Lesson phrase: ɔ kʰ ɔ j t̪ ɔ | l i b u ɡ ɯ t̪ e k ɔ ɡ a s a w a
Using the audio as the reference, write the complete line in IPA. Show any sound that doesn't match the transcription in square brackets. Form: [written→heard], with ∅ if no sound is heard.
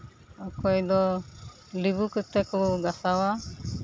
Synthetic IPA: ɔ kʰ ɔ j [t̪→d̪] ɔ | l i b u [ɡ→k] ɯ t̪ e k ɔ ɡ a s a w a